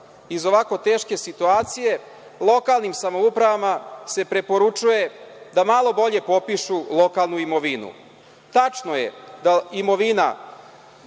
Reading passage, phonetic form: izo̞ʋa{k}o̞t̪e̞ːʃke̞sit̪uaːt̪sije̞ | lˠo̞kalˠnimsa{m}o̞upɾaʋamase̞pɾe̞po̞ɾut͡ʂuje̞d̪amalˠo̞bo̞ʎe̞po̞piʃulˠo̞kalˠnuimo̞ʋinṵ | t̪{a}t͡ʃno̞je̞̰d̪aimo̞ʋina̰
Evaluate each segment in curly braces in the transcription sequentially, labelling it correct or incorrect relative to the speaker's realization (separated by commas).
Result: correct, correct, correct